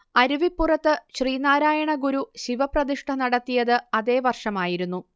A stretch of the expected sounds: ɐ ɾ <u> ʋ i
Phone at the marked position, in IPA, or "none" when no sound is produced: u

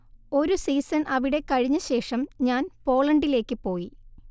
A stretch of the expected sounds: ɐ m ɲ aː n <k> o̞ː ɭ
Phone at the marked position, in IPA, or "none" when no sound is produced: p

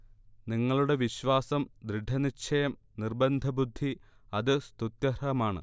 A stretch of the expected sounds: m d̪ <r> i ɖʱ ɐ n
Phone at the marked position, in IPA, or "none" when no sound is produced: ɾ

